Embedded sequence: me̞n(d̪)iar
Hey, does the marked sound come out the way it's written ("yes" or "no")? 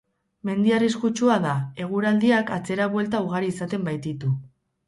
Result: yes